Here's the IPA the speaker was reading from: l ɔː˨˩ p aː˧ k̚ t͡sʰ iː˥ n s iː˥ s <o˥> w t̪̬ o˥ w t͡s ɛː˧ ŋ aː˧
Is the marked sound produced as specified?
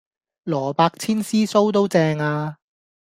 yes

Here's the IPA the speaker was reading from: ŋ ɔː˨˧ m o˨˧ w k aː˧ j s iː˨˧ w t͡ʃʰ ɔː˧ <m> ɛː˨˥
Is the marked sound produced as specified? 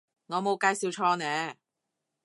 no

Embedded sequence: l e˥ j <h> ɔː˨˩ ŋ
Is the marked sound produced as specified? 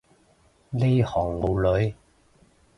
yes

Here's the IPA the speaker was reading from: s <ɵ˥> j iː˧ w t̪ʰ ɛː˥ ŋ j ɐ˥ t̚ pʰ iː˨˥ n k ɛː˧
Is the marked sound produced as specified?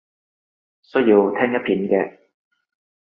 yes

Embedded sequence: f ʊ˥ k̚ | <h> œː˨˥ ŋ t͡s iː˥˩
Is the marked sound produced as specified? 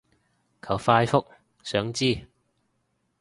no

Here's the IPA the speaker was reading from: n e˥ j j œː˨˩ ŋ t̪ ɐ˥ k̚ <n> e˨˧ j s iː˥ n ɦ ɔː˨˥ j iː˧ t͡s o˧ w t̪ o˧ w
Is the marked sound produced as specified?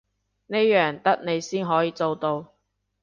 yes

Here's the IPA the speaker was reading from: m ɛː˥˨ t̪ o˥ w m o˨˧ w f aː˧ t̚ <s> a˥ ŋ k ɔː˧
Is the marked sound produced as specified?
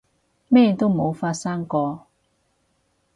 yes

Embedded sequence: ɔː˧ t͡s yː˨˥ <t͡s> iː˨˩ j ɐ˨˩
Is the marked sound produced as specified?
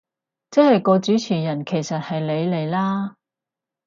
no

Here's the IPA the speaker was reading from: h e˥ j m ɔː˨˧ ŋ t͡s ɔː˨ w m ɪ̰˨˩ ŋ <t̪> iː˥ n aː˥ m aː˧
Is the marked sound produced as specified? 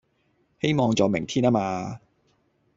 no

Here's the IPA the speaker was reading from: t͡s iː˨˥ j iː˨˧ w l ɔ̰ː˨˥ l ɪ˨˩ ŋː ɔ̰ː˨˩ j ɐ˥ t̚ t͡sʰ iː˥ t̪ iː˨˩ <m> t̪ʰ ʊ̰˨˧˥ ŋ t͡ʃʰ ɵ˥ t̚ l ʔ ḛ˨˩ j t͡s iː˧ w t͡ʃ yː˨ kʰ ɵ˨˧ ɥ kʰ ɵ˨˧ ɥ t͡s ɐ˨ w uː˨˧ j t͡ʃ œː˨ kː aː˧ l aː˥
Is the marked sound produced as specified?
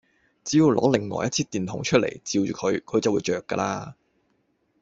no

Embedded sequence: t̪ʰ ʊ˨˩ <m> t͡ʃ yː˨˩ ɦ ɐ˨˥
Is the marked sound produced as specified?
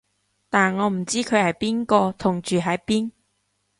no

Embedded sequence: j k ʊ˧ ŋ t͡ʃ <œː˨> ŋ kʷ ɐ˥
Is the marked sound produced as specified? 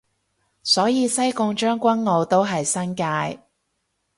no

